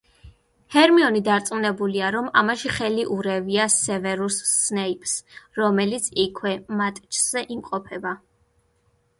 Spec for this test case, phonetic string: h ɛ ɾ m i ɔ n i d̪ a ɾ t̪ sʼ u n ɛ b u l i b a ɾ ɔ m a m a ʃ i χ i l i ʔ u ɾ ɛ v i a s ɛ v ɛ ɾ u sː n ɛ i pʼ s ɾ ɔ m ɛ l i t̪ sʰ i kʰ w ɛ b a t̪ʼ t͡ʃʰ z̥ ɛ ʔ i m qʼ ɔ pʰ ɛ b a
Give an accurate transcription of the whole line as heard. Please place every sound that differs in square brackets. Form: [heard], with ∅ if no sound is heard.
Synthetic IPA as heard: h ɛ ɾ m i ɔ n i d̪ a ɾ t̪ sʼ u n ɛ b u l i [∅] a ɾ ɔ m a m a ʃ i χ [ɛ] l i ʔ u ɾ ɛ v i a s ɛ v ɛ ɾ u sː n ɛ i pʼ s ɾ ɔ m ɛ l i t̪ sʰ i kʰ w ɛ [m] a t̪ʼ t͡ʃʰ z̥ ɛ ʔ i m qʼ ɔ pʰ ɛ b a